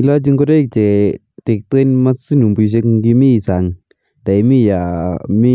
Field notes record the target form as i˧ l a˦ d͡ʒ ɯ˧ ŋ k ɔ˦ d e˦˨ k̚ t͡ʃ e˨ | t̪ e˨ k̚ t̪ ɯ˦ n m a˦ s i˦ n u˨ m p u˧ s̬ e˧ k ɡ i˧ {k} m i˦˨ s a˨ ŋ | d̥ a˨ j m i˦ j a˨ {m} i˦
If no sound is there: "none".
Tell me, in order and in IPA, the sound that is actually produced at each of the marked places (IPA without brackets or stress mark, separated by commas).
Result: none, m